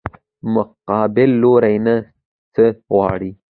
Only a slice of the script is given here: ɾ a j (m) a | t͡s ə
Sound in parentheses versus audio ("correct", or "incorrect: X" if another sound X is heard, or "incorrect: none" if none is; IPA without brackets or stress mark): incorrect: n